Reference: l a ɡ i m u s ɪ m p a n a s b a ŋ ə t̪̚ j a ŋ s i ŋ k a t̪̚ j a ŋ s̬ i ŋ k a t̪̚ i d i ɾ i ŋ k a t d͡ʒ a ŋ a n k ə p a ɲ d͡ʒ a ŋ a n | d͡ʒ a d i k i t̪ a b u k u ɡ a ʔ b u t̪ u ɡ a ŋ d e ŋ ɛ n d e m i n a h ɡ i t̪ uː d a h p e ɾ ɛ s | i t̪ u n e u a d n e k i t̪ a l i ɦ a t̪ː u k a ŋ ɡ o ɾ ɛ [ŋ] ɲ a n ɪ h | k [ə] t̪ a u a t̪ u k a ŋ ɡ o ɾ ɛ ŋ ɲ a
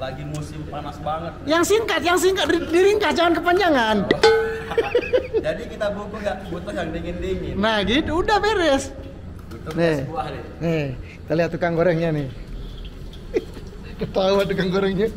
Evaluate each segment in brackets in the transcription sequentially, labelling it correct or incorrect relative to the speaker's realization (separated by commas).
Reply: correct, correct